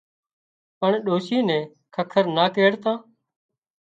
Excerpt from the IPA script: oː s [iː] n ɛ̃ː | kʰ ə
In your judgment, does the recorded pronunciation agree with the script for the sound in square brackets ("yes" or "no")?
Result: yes